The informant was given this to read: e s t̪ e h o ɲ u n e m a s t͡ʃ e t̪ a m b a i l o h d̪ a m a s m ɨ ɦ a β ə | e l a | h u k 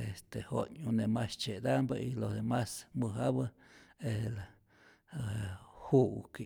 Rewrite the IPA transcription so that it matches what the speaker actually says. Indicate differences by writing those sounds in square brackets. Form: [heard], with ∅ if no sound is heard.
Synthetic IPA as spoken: e s t̪ e h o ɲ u n e m a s t͡ʃ e [d̪] a m b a i l o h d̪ [e] m a s m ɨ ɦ a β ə | e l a | h u k

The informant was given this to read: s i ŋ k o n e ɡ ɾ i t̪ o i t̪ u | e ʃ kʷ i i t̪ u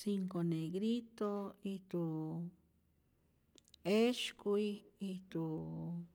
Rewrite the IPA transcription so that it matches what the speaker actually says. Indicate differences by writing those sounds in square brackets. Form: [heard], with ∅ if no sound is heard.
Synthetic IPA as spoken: s i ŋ k o n e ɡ ɾ i t̪ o i t̪ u | e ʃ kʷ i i t̪ u

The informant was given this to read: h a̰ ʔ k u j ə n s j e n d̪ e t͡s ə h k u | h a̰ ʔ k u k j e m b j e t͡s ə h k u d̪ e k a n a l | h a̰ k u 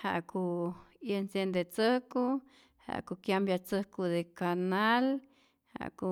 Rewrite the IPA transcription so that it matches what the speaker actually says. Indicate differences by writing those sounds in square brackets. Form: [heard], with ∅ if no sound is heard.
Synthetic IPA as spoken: h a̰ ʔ k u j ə n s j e n d̪ e t͡s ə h k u | h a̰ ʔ k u k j [a] m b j [a] t͡s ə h k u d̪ e k a n a l | h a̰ k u

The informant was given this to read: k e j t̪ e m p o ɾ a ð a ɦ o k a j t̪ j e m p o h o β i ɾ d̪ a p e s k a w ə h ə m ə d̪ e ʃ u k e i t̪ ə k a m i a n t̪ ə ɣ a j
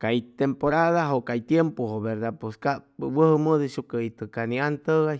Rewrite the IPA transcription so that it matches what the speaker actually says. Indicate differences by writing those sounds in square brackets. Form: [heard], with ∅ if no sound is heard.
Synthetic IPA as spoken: k [a] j t̪ e m p o ɾ a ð a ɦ o k a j t̪ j e m p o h o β [e] ɾ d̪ a p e s k a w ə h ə m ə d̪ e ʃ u k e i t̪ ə k a [n] i a n t̪ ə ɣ a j

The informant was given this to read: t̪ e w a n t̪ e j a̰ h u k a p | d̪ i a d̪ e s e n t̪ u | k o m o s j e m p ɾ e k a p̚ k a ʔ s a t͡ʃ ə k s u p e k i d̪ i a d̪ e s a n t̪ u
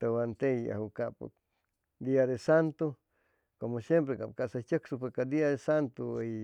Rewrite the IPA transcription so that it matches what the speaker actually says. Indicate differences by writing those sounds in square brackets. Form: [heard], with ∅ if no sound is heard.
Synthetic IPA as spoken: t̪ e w a n t̪ e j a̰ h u k a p | d̪ i a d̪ e s [a] n t̪ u | k o m o s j e m p ɾ e k a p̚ k a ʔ s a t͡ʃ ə k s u p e k [a] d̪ i a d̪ e s a n t̪ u

